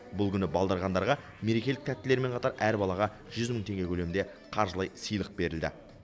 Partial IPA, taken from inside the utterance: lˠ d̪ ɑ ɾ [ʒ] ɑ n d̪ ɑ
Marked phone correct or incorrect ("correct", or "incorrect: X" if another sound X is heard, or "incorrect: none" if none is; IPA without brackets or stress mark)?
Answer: incorrect: ʁ